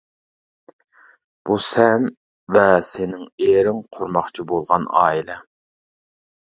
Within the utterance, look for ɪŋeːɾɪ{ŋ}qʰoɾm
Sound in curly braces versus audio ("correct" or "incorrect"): correct